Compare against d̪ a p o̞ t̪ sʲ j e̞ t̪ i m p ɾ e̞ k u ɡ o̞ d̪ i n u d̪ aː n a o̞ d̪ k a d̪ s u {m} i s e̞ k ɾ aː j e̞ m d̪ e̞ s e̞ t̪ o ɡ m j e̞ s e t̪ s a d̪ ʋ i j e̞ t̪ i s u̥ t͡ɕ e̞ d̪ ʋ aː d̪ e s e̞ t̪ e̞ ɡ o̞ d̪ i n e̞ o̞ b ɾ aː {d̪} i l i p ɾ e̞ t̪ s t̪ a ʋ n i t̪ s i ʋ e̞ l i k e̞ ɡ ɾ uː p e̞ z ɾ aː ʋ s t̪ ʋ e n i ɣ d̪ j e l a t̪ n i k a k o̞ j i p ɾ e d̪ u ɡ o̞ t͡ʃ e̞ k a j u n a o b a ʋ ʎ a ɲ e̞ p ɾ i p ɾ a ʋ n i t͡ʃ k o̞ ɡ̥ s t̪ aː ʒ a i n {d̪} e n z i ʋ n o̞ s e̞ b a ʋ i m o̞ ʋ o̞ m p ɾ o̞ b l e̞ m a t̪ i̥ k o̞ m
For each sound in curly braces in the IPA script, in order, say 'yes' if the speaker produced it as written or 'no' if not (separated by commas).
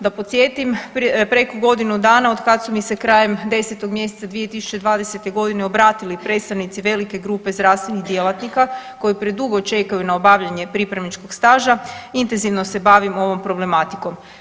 yes, no, no